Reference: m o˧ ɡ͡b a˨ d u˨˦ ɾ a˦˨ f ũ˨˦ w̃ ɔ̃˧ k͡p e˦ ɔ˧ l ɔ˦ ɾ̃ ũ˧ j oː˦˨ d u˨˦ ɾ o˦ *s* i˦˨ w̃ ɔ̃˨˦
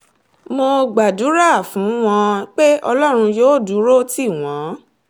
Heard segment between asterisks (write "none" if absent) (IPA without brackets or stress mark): t